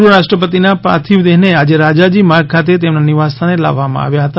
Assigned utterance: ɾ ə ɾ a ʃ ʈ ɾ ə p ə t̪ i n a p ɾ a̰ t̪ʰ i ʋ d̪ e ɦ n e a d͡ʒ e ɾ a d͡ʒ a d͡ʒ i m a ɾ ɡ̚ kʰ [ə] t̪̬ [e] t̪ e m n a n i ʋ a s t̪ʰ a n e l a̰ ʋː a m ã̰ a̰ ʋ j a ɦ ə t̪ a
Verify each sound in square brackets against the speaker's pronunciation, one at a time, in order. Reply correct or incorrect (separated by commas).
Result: incorrect, correct